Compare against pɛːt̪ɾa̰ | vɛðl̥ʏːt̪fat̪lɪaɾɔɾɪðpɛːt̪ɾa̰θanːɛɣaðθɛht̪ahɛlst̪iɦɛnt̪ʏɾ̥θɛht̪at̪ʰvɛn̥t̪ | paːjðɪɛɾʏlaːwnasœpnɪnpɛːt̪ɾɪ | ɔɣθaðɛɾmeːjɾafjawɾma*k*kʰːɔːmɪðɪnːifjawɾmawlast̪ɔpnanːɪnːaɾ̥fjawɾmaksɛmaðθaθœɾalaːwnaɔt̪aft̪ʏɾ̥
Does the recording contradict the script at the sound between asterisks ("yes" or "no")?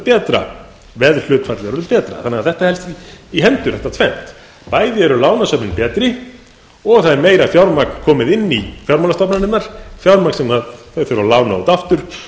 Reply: no